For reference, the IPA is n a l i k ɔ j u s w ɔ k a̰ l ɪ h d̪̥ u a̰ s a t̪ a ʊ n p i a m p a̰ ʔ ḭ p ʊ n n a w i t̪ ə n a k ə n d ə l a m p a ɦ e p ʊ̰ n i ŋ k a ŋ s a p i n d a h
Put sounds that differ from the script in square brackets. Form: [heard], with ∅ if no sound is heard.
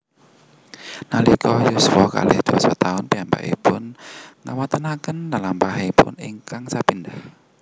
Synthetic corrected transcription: n a l i k ɔ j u s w ɔ k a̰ l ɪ h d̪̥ u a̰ s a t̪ a ʊ n p i a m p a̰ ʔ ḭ p ʊ n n a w [a] t̪ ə n a k ə n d [a] l a m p a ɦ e p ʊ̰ n i ŋ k a ŋ s a p i n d a h